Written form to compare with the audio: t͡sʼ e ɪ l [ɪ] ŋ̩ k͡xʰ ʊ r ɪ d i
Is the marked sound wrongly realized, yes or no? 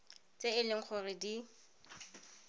no